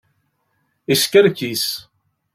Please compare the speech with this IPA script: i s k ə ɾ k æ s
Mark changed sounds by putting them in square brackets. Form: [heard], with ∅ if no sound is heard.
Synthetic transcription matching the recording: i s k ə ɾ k [i] s